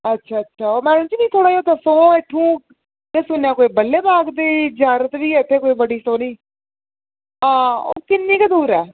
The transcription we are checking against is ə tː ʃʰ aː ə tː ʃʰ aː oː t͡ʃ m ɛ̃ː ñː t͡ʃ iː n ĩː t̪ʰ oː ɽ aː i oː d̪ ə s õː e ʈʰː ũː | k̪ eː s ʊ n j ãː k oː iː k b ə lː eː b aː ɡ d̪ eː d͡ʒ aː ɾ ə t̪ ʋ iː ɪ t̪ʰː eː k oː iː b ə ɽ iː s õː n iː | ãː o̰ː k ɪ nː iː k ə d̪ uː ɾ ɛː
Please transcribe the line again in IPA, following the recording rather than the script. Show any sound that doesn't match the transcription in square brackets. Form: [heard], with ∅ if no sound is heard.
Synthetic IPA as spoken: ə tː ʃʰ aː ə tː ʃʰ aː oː [∅] m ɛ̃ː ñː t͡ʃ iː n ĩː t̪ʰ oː ɽ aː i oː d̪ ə s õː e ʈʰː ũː | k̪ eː s ʊ n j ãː k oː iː [∅] b ə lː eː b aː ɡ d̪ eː d͡ʒ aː ɾ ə t̪ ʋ iː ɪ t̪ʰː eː k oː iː b ə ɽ iː s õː n iː | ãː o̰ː k ɪ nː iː k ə d̪ uː ɾ ɛː